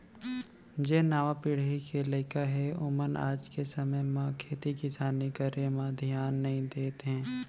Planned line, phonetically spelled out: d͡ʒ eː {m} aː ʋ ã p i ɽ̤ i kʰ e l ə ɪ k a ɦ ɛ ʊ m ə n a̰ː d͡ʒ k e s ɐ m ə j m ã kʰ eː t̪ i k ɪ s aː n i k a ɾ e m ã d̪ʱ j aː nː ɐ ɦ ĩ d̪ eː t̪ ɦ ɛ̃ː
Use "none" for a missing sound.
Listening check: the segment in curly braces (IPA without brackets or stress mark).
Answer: n